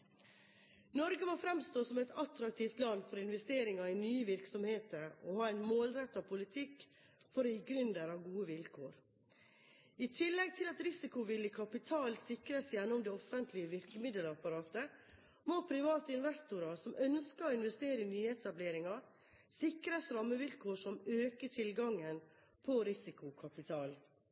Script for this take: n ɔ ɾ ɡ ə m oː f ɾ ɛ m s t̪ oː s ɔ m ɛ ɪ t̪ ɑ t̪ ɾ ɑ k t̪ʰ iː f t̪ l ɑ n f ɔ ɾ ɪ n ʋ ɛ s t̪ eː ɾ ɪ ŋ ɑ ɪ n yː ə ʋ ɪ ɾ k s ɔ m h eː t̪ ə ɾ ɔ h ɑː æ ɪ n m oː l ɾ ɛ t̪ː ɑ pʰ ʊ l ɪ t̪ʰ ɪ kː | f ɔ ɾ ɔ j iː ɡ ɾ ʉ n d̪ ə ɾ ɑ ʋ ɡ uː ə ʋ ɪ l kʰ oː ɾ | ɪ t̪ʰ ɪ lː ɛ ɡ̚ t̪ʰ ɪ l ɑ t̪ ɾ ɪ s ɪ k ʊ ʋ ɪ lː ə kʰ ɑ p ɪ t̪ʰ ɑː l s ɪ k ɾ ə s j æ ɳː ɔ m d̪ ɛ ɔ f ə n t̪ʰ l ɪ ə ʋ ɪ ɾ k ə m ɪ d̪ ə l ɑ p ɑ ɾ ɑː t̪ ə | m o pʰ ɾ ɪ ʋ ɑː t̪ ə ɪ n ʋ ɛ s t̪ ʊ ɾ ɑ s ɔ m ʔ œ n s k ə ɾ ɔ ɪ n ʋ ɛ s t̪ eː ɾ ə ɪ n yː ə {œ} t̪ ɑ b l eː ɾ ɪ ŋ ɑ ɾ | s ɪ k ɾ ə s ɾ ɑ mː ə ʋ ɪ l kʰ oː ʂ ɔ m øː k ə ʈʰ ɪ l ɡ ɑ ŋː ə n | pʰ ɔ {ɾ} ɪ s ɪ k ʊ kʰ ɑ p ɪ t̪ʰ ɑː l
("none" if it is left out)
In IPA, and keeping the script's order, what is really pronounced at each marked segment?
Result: ɛ, ɾ

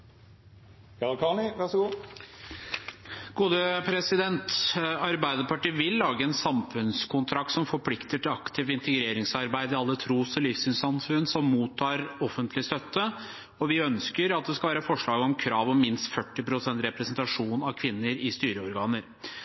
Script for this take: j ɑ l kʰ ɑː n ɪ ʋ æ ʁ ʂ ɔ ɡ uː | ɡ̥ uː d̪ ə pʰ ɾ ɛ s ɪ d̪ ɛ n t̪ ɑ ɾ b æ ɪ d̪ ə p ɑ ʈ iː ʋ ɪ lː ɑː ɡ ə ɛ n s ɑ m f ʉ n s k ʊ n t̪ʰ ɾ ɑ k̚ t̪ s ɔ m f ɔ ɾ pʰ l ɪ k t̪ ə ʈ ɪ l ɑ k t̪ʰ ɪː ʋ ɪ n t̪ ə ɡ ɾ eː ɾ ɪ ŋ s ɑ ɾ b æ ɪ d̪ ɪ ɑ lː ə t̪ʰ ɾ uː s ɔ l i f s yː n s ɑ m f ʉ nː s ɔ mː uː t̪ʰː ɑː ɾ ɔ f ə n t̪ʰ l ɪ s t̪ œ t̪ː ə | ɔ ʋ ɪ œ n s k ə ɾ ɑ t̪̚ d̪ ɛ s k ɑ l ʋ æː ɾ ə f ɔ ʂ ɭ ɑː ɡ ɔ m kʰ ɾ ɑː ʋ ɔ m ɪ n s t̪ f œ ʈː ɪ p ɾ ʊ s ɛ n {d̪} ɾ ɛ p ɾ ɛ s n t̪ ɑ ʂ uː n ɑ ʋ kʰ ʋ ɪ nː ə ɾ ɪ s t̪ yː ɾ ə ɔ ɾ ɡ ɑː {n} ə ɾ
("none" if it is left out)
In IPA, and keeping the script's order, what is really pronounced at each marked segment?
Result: t̪, n

